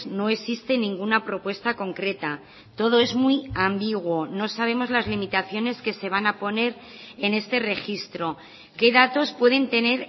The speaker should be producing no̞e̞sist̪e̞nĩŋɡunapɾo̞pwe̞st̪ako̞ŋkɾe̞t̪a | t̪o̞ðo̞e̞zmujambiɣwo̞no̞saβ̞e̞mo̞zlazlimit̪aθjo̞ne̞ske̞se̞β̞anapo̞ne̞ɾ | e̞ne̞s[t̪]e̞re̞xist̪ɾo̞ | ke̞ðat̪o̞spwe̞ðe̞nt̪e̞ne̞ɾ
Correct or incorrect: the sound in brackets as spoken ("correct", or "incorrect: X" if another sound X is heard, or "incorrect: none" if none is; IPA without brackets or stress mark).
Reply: correct